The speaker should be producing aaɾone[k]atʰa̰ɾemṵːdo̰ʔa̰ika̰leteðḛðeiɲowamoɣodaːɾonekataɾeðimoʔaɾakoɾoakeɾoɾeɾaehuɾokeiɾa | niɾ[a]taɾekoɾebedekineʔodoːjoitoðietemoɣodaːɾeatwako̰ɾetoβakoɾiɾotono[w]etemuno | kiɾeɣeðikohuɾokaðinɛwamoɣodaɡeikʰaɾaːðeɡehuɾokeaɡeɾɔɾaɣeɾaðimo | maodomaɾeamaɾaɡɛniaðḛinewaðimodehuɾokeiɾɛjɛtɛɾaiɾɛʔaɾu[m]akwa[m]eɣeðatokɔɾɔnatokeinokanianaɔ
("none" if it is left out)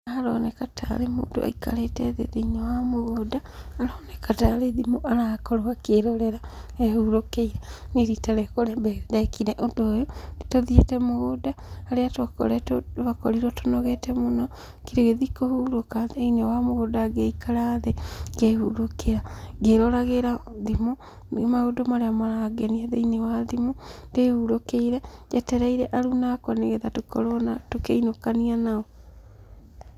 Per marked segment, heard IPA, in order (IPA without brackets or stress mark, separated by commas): k, i, ɣ, n, n